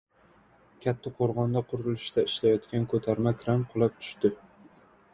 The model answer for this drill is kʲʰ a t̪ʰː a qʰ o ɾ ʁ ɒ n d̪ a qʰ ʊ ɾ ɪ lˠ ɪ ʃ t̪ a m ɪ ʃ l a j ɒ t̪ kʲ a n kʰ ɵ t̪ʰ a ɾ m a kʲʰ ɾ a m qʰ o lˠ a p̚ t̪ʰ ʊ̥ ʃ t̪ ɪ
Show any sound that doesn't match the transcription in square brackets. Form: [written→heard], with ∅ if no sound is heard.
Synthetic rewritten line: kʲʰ a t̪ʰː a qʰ o ɾ ʁ ɒ n d̪ a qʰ ʊ ɾ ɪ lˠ ɪ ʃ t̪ a [m→∅] ɪ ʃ l a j ɒ t̪ kʲ a n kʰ ɵ t̪ʰ a ɾ m a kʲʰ ɾ a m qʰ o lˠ a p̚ t̪ʰ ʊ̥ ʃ t̪ ɪ